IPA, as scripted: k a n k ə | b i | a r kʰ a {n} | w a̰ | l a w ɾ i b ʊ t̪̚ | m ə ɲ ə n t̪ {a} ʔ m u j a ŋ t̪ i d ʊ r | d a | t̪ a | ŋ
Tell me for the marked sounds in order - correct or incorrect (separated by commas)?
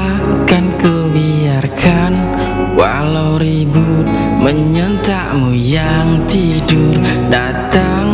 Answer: correct, correct